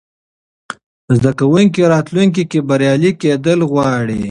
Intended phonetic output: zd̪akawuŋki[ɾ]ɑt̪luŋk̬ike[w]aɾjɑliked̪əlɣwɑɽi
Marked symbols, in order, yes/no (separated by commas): yes, no